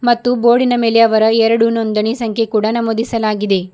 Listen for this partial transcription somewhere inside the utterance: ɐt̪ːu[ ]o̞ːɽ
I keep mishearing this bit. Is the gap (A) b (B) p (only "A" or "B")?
A